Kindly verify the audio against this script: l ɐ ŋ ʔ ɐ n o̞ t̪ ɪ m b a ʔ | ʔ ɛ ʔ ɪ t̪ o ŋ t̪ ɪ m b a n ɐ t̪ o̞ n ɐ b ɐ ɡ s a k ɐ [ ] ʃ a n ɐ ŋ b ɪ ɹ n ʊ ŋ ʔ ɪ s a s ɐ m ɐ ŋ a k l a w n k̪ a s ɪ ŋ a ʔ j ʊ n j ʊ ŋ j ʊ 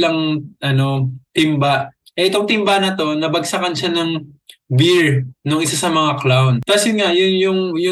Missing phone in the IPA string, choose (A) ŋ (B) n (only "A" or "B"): B